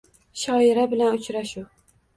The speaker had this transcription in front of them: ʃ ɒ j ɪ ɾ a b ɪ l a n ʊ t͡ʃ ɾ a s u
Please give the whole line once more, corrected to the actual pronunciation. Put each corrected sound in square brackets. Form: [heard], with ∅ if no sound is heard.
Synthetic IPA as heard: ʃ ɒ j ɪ ɾ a b ɪ l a n ʊ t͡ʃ ɾ a [ʃ] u